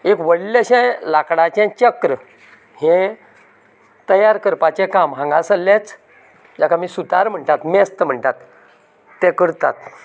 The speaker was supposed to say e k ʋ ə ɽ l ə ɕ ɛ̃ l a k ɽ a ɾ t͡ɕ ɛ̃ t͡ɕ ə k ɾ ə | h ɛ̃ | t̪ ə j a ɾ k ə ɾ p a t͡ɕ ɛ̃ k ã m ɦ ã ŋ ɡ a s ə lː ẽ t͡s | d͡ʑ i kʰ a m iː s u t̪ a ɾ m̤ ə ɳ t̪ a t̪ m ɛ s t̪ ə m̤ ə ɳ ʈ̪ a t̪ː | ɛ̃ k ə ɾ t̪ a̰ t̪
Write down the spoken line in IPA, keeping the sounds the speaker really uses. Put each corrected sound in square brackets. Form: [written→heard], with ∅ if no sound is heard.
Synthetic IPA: e k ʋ ə ɽ l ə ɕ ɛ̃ l a k ɽ a [ɾ→∅] t͡ɕ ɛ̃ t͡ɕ ə k ɾ ə | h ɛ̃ | t̪ ə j a ɾ k ə ɾ p a t͡ɕ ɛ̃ k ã m ɦ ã ŋ ɡ a s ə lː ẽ t͡s | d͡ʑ [i→a] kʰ a m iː s u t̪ a ɾ m̤ ə ɳ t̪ a t̪ m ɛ s t̪ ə m̤ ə ɳ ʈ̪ a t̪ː | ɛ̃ k ə ɾ t̪ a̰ t̪